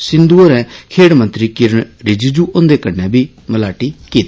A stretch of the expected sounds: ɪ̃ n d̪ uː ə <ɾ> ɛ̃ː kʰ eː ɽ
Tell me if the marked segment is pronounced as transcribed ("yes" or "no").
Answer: yes